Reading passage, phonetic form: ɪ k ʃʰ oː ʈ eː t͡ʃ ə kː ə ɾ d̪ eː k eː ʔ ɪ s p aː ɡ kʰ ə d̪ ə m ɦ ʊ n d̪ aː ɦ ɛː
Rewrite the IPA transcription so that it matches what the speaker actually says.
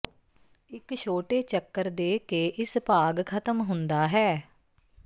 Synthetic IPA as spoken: ɪ k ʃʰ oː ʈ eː t͡ʃ ə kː ə ɾ d̪ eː k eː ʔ ɪ s p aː ɡ kʰ ə t̪ ə m ɦ ʊ n d̪ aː ɦ ɛː